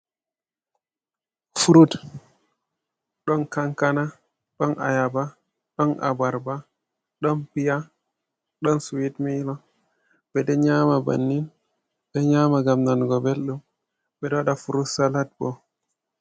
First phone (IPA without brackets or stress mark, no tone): f